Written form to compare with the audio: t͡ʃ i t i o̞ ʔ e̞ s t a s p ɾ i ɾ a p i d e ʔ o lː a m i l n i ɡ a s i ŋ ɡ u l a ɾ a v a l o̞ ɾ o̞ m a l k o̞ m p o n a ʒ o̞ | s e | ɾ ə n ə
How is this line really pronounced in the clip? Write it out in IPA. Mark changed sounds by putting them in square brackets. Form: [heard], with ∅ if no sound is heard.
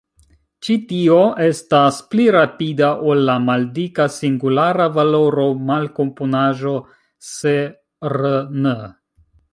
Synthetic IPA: t͡ʃ i t i o̞ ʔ e̞ s t a s p [l] i ɾ a p i d [a] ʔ o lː a m [a] l [d] i [k] a s i ŋ ɡ u l a ɾ a v a l o̞ ɾ o̞ m a l k o̞ m p o n a ʒ o̞ | s e | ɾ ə n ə